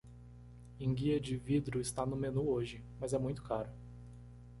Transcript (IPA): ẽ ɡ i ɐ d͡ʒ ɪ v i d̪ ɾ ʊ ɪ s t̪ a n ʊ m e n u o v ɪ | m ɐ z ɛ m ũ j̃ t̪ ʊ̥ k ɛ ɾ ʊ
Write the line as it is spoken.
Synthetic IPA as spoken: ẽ ɡ i ɐ d͡ʒ ɪ v i d̪ ɾ ʊ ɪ s t̪ a n ʊ m e n u o ʒ ɪ | m ɐ z ɛ m ũ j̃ t̪ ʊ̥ k a ɾ ʊ